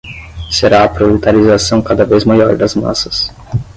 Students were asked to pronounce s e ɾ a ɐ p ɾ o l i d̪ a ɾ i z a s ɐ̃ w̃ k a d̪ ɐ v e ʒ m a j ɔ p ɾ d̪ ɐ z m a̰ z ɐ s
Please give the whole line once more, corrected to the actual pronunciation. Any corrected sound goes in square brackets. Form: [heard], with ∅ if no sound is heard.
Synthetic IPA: s e ɾ a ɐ p ɾ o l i [t̪] a ɾ i z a s ɐ̃ w̃ k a d̪ ɐ v e [z] m a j ɔ [∅] ɾ d̪ ɐ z m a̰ [s] ɐ s